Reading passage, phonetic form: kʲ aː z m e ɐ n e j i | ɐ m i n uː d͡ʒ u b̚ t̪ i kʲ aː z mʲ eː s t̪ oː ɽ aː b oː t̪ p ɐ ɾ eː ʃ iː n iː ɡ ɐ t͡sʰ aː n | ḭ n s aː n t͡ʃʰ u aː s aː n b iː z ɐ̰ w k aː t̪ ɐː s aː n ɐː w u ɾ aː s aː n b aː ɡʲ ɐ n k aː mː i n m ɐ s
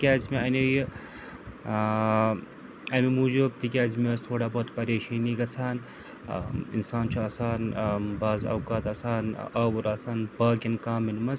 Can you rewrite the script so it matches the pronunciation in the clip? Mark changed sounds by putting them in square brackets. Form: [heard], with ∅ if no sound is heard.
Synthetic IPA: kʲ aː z m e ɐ n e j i | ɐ m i [m] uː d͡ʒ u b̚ t̪ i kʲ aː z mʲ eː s [t̪ʰ] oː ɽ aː b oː t̪ p ɐ ɾ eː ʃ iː n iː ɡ ɐ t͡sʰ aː n | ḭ n s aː n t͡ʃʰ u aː s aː n b [aː] z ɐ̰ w k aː t̪ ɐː s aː n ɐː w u ɾ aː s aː n b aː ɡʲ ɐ n k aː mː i n m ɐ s